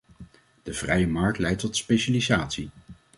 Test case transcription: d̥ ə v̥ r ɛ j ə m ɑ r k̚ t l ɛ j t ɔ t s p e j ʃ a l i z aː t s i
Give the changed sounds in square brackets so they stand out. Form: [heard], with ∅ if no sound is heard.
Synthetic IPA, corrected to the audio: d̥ ə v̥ r ɛ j ə m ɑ [ɹ] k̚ t l ɛ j t ɔ t s p e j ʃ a l i z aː t s i

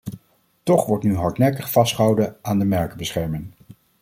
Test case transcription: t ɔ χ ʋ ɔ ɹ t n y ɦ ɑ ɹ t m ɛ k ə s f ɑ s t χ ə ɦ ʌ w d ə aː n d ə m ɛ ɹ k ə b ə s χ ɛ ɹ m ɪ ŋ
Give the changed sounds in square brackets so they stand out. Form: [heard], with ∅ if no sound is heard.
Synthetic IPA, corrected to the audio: t ɔ χ ʋ ɔ ɹ t n y ɦ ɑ ɹ t [n] ɛ k ə [χ] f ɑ s t χ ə ɦ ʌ w d ə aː n d ə m ɛ ɹ k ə b ə s χ ɛ ɹ m ɪ ŋ

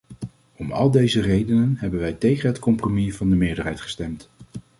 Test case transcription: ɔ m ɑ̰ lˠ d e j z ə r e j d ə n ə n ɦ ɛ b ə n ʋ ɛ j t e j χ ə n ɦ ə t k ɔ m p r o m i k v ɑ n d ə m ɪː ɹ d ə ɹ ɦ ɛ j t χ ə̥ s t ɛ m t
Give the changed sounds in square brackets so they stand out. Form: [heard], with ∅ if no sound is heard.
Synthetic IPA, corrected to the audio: ɔ m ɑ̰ lˠ d e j z ə r e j d ə n ə n ɦ ɛ b ə n ʋ ɛ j t e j χ ə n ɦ ə t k ɔ m p r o m i [∅] v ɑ n d ə m ɪː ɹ d ə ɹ ɦ ɛ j t χ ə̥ s t ɛ m t

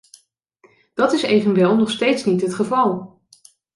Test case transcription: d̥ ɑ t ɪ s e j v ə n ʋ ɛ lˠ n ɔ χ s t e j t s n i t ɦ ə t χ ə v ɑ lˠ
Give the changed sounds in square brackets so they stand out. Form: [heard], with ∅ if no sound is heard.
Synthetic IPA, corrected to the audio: d̥ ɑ t ɪ s e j v ə n ʋ ɛ lˠ n ɔ χ s t e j t s n i t ɦ ə t χ ə v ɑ lˠ

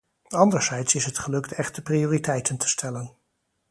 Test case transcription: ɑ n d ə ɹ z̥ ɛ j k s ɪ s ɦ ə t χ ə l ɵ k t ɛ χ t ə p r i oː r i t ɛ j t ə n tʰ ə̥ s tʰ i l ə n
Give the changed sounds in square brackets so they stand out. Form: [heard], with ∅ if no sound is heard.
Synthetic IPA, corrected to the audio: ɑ n d ə ɹ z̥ ɛ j [t] s ɪ s ɦ ə t χ ə l ɵ k t ɛ χ t ə p r i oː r i t ɛ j t ə n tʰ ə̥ s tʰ [ɛ] l ə n

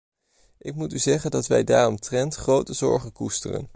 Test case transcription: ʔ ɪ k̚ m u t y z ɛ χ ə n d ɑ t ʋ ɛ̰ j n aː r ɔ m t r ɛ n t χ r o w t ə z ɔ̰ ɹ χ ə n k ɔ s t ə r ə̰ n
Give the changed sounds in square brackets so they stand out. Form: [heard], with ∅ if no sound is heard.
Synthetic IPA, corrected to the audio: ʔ ɪ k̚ m u t y z ɛ χ ə n d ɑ t ʋ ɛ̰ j [d] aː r ɔ m t r ɛ n t χ r o w t ə z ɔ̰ ɹ χ ə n k [u] s t ə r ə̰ n

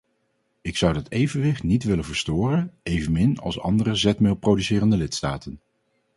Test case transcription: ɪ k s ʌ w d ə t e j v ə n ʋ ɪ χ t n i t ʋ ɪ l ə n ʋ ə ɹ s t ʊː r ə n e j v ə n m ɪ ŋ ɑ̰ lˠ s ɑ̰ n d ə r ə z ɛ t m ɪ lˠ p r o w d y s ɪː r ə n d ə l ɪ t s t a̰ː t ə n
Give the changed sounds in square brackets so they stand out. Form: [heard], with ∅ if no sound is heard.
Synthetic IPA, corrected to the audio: ɪ k s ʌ w d [ɑ] t e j v ə n ʋ ɪ χ t n i t ʋ ɪ l ə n [v] ə ɹ s t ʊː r ə n e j v ə n m ɪ [n] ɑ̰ lˠ s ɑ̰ n d ə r ə z ɛ t m ɪ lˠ p r o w d y s ɪː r ə n d ə l ɪ t s t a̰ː t ə n

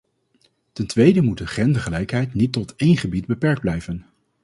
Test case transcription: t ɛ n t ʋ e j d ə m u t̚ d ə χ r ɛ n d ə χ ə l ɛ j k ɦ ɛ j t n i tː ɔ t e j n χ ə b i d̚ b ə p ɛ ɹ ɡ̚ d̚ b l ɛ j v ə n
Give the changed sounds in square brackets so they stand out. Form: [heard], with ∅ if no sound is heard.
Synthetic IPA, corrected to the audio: t ɛ n t ʋ e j d ə m u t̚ d ə χ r ɛ n d ə χ ə l ɛ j k ɦ ɛ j t n i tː ɔ t e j n χ ə b i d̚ b ə p ɛ ɹ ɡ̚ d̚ b l ɛ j v ə n

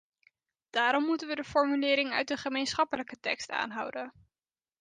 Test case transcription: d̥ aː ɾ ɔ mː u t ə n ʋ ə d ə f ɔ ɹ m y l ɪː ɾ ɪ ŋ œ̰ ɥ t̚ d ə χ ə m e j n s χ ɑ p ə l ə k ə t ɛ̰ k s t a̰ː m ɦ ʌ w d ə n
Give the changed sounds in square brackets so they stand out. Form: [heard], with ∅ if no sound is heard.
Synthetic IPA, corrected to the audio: d̥ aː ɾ ɔ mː u t ə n ʋ ə d ə f ɔ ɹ m y l ɪː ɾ ɪ ŋ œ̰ ɥ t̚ d ə χ ə m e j n s χ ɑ p ə l ə k ə t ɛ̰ k s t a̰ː [n] ɦ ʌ w d ə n

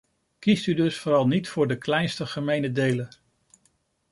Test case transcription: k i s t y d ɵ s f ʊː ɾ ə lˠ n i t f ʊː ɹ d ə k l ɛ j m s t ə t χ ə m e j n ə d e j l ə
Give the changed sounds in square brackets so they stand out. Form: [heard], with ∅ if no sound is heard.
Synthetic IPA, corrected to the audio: k i s t y d ɵ s f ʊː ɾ [ɑ] lˠ n i t f ʊː ɹ d ə k l ɛ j [n] s t ə [∅] χ ə m e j n ə d e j l ə

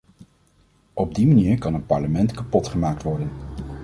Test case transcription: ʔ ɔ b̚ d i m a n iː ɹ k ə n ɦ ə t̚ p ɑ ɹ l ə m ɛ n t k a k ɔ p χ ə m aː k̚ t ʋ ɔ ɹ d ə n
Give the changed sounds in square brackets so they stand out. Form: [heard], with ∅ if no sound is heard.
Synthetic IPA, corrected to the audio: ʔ ɔ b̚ d i m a n iː ɹ k [ɑ] n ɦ ə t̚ p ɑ ɹ l ə m ɛ n t k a [p] ɔ [t] χ ə m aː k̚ t ʋ ɔ ɹ d ə n

